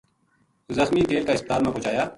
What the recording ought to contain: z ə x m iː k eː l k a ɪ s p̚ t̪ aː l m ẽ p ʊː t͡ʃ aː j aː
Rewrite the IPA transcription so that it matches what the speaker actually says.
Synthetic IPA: z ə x m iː k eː l k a ɪ s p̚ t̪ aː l m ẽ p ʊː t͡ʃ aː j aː